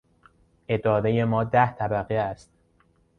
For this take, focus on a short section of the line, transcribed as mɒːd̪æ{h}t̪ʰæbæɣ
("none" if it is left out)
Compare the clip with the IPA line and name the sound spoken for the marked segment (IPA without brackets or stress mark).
h